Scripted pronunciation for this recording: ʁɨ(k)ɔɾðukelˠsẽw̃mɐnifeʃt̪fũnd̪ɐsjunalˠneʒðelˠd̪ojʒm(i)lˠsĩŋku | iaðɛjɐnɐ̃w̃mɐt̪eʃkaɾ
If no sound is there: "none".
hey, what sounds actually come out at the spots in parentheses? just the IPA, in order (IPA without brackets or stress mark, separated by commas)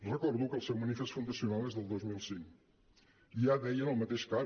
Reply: k, i